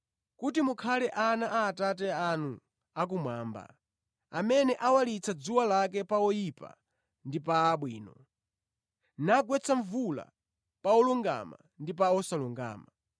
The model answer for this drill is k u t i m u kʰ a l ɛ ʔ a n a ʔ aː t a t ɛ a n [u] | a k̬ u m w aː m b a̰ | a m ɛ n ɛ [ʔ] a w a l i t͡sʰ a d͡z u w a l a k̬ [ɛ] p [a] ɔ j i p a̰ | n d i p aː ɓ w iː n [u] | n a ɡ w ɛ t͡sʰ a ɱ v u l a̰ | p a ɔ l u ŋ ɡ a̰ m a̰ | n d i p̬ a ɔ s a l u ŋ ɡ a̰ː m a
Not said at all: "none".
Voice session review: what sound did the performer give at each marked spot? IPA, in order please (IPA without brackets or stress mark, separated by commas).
u, ʔ, ɛ, a, ɔ